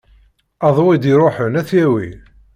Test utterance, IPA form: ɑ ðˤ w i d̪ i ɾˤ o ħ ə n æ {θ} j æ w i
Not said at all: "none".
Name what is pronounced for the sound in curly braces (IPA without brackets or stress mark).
θ